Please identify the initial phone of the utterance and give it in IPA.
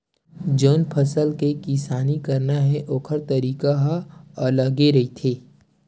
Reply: d͡ʒ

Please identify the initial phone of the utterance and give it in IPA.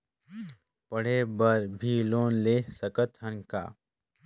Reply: p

